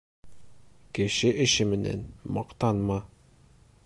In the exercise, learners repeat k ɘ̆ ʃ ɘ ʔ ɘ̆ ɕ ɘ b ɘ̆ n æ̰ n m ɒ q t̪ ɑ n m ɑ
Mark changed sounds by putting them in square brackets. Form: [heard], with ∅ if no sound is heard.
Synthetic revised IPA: k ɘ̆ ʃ ɘ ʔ ɘ̆ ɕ ɘ [m] ɘ̆ n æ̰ n m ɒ q t̪ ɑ n m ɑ